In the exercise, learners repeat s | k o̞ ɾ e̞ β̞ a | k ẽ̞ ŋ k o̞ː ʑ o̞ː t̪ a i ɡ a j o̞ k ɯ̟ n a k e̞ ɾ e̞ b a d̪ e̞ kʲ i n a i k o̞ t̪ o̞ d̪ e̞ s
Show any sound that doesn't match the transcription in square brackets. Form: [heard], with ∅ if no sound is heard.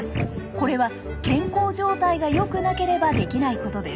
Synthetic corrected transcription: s | k o̞ ɾ e̞ β̞ a | k ẽ̞ ŋ k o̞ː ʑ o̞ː t̪ a i ɡ a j o̞ k ɯ̟ n a k e̞ ɾ e̞ b a d̪ e̞ kʲ i n a i k o̞ t̪ o̞ d̪ e̞ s